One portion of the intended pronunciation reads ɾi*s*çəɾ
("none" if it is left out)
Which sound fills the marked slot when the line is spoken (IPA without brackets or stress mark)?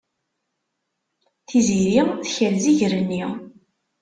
θ